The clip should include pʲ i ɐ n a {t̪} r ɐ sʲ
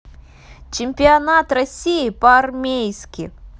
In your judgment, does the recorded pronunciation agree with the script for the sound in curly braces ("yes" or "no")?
yes